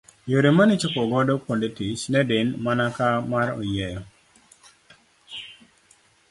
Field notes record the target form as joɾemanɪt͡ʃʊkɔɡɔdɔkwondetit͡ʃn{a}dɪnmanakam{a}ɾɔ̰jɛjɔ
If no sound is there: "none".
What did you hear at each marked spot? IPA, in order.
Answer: ɛ, a

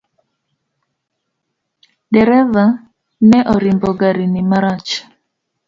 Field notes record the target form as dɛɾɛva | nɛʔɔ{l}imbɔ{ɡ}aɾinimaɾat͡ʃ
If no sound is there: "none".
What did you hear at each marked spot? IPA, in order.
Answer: ɾ, ɡ

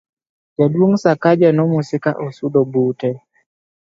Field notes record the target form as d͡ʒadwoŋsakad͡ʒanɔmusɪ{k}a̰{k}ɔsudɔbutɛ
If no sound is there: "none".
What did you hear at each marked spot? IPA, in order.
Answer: k, ʔ

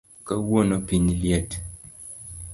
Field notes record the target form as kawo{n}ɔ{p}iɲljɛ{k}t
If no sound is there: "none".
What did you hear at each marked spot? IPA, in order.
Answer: n, p, none

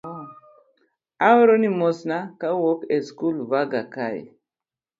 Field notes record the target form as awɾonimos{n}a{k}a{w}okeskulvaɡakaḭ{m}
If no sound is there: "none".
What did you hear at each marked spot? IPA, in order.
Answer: n, k, w, none

